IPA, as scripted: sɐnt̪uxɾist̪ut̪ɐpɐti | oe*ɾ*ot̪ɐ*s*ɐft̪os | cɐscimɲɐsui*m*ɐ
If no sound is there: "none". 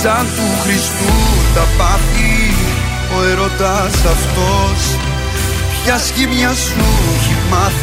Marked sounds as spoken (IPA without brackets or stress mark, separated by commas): ɾ, s, m